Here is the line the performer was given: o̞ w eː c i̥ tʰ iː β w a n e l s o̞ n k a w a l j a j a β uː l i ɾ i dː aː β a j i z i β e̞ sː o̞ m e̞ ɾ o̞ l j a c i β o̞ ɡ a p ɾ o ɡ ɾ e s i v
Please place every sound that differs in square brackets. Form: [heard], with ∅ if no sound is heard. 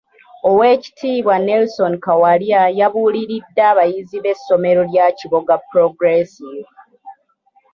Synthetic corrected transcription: o̞ w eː c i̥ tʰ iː β w a n e l s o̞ n k a w a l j a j a β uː l i ɾ i dː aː β a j i z i β e̞ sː o̞ m e̞ ɾ o̞ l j a c i β o̞ ɡ a p ɾ o ɡ ɾ e s i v